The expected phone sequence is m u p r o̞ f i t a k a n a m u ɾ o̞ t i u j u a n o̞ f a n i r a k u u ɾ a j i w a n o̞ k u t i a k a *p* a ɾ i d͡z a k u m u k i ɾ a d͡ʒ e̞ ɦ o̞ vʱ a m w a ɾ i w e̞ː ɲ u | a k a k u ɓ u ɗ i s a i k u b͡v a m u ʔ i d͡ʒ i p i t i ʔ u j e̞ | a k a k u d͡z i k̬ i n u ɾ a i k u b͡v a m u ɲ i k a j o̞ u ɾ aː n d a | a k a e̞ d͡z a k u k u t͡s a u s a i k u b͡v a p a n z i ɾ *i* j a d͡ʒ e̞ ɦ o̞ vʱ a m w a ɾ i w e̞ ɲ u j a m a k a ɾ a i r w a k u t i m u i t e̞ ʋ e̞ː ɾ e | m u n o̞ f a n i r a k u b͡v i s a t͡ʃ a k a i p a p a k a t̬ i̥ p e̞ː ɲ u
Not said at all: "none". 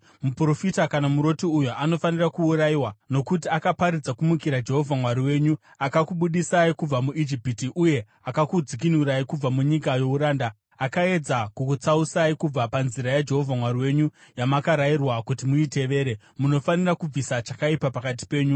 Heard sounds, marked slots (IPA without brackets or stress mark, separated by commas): p, a